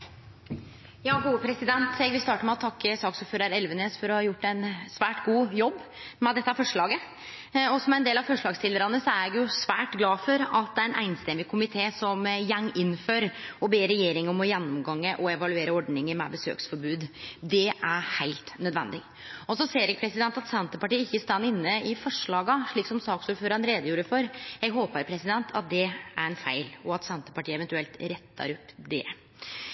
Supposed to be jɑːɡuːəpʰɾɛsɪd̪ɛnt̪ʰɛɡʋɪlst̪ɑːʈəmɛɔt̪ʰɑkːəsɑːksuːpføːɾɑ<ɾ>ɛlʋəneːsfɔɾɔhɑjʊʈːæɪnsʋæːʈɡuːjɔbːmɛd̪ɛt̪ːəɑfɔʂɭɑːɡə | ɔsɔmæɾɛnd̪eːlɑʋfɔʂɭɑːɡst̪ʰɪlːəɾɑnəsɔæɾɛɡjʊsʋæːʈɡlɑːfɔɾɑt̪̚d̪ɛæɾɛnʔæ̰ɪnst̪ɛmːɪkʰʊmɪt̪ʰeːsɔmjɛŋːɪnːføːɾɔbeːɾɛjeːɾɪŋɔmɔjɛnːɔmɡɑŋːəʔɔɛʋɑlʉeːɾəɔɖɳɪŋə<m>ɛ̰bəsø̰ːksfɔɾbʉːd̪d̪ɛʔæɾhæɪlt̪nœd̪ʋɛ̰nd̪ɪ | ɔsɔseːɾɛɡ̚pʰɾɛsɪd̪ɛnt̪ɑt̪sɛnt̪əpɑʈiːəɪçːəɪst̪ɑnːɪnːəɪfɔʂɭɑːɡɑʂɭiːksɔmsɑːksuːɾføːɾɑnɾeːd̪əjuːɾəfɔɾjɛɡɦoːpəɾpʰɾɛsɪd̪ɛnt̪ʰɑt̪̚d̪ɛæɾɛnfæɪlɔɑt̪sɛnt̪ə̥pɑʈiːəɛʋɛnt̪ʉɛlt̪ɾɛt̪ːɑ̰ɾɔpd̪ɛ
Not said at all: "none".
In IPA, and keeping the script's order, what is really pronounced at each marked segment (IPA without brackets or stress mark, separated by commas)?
ɾ, m